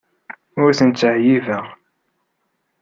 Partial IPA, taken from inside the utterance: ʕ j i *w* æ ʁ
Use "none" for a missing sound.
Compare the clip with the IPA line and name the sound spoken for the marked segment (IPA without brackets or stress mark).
v